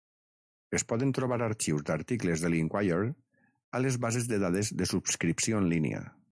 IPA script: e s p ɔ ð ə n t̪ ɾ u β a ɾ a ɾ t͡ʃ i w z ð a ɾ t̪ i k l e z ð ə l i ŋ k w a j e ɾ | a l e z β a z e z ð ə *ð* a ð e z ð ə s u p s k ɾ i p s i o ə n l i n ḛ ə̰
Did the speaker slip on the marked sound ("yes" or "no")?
no